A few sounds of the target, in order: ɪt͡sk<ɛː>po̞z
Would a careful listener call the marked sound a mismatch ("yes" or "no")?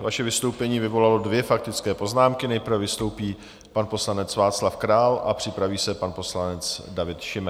no